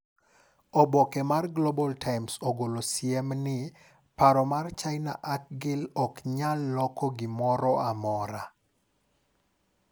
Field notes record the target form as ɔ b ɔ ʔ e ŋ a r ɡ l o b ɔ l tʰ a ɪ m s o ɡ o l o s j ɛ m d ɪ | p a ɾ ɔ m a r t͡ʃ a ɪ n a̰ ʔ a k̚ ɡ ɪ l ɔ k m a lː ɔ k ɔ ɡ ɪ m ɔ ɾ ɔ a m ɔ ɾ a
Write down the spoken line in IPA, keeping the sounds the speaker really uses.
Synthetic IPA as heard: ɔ b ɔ k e m a r ɡ l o b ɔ l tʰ a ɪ m s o ɡ o l o s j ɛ m n ɪ | p a ɾ ɔ m a r t͡ʃ a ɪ n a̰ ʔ a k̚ ɡ ɪ l ɔ k ɲ a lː ɔ k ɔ ɡ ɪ m ɔ ɾ ɔ a m ɔ ɾ a